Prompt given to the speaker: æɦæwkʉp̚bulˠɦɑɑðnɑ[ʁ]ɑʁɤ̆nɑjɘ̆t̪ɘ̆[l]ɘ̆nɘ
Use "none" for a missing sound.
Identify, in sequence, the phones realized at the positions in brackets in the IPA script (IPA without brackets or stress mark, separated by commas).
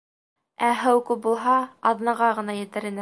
ʁ, ɾ